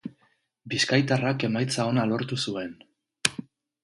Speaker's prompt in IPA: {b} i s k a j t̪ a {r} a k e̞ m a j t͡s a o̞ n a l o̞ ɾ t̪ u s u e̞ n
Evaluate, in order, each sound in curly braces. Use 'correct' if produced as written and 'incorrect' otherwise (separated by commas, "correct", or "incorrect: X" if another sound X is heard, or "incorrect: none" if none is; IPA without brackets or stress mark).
correct, correct